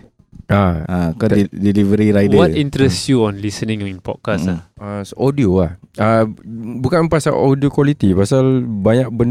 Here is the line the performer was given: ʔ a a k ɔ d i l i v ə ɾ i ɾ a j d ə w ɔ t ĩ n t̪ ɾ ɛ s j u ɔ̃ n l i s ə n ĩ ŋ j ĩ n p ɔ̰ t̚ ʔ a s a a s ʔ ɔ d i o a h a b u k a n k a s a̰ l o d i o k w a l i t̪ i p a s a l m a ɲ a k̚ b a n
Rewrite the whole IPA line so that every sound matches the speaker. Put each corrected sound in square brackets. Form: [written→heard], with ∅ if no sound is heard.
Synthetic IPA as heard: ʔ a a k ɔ d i l i v ə ɾ i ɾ a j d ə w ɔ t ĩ n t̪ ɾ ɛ s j u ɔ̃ n l i s ə n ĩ ŋ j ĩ n p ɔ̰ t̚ [ʔ→k] a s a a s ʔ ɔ d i o a h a b u k a n [k→p] a s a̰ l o d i o k w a l i t̪ i p a s a l [m→b] a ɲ a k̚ b [a→ə] n